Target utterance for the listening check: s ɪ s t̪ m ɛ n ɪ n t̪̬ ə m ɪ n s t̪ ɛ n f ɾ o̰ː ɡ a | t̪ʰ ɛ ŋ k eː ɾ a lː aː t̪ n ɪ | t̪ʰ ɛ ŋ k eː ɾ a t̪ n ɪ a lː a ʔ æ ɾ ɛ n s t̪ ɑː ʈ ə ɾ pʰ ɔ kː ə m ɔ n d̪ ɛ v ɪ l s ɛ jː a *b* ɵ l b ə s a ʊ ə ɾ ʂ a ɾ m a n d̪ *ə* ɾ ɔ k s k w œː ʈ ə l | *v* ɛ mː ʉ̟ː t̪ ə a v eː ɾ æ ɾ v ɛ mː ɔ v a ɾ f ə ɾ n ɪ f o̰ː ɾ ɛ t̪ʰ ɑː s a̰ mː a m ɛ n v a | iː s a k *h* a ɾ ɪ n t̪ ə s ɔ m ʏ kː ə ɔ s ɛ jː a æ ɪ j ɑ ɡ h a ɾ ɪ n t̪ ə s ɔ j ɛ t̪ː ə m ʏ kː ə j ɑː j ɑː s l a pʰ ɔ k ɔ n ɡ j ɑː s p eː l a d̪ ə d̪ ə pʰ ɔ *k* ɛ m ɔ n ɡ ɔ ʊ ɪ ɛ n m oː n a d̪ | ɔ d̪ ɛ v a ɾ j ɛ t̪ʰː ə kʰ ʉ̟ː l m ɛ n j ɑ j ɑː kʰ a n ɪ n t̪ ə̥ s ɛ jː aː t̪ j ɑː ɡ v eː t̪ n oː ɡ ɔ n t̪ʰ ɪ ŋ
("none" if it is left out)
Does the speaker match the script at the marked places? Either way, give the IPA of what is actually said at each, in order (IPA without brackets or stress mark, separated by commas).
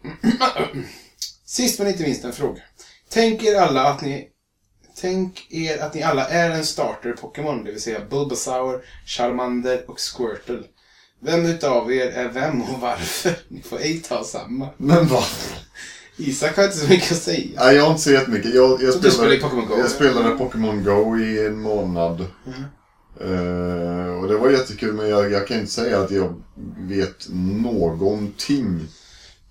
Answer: b, ə, v, h, k